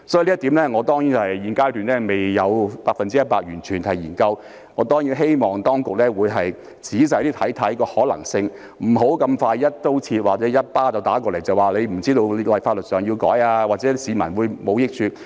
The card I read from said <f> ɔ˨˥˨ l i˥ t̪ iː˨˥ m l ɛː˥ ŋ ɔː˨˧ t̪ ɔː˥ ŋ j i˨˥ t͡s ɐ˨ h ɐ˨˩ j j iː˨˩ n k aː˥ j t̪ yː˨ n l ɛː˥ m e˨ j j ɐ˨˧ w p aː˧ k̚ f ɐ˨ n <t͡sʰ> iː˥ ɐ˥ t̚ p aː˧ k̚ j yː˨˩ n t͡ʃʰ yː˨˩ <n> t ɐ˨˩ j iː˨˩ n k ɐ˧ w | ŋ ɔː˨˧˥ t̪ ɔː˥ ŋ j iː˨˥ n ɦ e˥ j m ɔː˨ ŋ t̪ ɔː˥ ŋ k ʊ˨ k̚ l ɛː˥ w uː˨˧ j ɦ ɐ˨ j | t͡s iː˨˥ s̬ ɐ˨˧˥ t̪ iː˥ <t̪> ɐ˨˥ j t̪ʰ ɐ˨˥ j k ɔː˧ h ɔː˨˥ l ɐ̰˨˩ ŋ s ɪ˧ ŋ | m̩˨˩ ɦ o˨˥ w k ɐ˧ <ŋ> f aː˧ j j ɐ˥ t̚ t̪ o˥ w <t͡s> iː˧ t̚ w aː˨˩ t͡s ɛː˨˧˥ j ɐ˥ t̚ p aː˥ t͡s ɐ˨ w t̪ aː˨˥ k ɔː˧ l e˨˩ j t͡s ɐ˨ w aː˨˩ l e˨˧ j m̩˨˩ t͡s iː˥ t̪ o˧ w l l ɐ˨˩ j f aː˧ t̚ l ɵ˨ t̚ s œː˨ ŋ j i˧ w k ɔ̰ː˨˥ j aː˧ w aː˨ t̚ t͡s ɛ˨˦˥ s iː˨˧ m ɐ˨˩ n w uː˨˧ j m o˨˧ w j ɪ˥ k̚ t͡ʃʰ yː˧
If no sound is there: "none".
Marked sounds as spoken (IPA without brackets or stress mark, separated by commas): s, t͡s, n, t̪ʰ, m, t͡sʰ